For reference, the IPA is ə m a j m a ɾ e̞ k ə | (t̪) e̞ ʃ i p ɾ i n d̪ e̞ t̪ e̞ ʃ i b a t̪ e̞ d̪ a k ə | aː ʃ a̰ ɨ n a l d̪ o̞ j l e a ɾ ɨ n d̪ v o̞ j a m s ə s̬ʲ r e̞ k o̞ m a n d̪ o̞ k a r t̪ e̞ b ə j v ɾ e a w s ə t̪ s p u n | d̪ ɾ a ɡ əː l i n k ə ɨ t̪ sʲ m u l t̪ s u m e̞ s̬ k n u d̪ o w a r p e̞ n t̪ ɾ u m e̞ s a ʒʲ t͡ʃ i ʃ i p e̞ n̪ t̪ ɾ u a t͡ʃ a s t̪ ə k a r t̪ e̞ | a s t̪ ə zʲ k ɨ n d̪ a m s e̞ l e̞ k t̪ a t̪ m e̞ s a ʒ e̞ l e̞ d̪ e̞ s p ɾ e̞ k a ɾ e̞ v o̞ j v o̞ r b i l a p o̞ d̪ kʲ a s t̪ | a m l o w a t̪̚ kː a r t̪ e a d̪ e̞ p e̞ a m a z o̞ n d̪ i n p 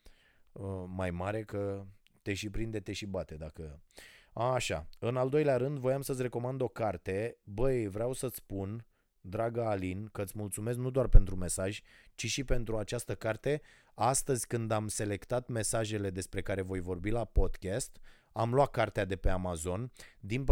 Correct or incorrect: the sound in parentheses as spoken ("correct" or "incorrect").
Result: correct